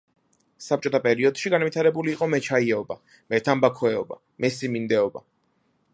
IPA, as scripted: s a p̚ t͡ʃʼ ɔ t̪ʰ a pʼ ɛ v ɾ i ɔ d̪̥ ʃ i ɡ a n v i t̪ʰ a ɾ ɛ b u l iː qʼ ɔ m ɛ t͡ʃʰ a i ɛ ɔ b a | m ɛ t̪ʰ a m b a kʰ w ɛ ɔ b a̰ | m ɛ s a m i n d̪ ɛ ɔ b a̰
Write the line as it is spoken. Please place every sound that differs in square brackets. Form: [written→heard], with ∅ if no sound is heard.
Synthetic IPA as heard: s a p̚ t͡ʃʼ ɔ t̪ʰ a pʼ ɛ [v→∅] ɾ i ɔ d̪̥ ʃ i ɡ a n v i t̪ʰ a ɾ ɛ b u l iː qʼ ɔ m ɛ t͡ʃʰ a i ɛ ɔ b a | m ɛ t̪ʰ a m b a kʰ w ɛ ɔ b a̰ | m ɛ s [a→i] m i n d̪ ɛ ɔ b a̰